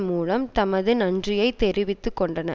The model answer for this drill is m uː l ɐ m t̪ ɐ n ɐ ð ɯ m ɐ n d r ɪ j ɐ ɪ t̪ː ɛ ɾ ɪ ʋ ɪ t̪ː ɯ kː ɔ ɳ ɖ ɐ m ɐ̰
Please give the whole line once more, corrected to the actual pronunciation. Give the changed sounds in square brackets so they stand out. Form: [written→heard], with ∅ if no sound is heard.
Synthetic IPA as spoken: m uː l ɐ m t̪ ɐ [n→m] ɐ ð ɯ [m→n] ɐ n d r ɪ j ɐ ɪ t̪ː ɛ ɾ ɪ ʋ ɪ t̪ː ɯ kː ɔ ɳ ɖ ɐ [m→n] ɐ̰